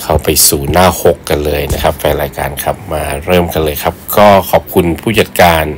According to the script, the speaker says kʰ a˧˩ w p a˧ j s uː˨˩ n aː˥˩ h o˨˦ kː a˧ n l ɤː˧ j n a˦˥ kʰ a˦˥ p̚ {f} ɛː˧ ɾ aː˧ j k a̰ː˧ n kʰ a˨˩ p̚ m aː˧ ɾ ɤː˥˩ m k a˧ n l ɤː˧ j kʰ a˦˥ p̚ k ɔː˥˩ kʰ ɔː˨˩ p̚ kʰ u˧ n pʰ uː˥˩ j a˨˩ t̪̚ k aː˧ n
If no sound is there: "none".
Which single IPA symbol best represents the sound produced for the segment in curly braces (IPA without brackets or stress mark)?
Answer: f